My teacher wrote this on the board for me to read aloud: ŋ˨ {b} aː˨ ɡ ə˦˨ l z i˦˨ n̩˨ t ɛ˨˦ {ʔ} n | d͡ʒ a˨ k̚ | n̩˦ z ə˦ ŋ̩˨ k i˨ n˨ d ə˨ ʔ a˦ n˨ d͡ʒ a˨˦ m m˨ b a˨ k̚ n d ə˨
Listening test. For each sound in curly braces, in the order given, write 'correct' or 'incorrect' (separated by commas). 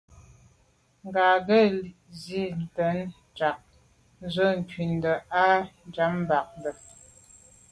incorrect, incorrect